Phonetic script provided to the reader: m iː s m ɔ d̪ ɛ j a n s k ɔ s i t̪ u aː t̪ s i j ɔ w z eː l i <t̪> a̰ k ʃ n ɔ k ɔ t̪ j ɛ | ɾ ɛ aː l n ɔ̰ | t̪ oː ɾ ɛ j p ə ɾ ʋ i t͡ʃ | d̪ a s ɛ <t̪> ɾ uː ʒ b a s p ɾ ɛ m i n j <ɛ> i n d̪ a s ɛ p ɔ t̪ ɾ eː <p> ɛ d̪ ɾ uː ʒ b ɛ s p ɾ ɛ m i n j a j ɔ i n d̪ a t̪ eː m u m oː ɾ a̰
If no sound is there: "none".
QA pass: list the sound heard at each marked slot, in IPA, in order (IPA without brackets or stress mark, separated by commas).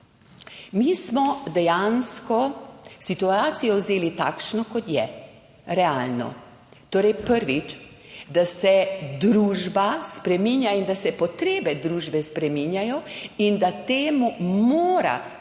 t̪, d̪, a, b